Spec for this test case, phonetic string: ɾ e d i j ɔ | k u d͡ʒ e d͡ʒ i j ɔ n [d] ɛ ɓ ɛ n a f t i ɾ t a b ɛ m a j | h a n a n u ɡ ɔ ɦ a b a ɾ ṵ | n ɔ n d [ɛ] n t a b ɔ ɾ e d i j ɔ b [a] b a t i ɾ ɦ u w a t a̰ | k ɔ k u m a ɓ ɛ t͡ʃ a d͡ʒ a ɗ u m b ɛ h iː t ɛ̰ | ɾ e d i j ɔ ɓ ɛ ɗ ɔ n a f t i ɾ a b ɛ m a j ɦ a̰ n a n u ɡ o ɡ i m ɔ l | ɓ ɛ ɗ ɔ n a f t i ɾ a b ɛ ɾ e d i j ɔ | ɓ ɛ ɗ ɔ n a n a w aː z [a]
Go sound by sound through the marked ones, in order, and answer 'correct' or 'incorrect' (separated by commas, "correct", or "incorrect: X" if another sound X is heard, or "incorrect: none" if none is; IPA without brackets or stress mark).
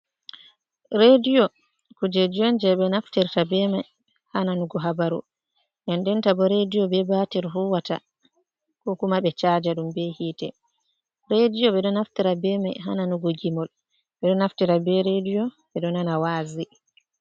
incorrect: d͡ʒ, correct, incorrect: ɛ, incorrect: i